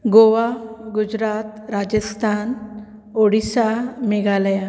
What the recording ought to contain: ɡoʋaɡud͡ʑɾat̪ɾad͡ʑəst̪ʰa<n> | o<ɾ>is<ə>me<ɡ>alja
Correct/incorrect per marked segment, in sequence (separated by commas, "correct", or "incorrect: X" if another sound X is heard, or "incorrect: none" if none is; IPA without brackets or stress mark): correct, incorrect: ɽ, incorrect: a, correct